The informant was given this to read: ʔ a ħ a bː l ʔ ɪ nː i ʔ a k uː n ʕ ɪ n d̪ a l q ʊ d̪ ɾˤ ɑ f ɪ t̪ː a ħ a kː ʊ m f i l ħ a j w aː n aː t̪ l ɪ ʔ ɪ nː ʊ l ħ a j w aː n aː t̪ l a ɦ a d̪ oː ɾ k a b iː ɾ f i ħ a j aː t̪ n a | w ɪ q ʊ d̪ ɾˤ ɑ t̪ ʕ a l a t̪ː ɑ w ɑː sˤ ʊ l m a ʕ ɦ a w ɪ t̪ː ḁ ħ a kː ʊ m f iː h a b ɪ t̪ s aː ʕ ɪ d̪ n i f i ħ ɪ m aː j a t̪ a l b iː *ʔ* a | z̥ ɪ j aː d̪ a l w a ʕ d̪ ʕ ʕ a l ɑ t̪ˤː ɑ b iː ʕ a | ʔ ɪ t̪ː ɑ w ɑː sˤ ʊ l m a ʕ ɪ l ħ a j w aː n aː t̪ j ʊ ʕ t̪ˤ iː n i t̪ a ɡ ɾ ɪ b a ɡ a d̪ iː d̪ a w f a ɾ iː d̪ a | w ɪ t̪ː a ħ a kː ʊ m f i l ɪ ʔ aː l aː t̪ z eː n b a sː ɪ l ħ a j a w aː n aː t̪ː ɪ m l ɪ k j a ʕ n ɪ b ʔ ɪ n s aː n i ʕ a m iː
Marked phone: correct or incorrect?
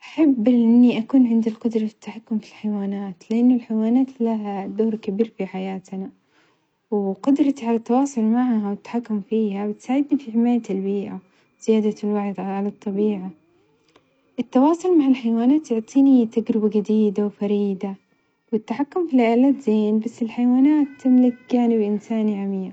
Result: correct